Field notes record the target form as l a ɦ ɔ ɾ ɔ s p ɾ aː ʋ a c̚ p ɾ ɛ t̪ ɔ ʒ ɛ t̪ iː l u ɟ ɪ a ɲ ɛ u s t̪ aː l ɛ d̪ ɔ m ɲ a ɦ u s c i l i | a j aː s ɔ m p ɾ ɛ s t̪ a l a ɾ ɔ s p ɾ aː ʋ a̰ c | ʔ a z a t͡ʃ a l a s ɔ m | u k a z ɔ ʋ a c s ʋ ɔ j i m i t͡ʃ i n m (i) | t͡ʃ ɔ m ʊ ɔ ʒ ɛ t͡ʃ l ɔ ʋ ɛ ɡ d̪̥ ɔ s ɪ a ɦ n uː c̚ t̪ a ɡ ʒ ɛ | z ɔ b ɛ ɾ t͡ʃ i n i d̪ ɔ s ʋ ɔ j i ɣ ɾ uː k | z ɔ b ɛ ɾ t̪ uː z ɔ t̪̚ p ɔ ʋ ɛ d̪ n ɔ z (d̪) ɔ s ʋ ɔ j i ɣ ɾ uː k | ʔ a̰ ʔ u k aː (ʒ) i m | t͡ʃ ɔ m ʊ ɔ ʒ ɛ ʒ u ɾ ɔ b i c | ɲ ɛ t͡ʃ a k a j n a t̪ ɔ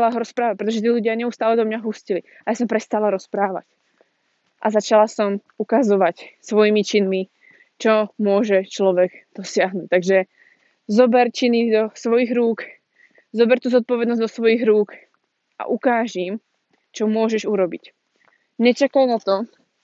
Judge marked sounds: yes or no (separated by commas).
yes, yes, yes